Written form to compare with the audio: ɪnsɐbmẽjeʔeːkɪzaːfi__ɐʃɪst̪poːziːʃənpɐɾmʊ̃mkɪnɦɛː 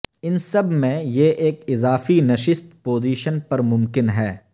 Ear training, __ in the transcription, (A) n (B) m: A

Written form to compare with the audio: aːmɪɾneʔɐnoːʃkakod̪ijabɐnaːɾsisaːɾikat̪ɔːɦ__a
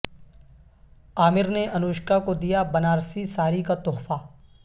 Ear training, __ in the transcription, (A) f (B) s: A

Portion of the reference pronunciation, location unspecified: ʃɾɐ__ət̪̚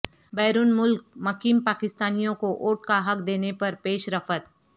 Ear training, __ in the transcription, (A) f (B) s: A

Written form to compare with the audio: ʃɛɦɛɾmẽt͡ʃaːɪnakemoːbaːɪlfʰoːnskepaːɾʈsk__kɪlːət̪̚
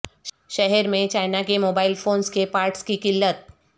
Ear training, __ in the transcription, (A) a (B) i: B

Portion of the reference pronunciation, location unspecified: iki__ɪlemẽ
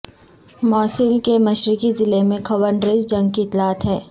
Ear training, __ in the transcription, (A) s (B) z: B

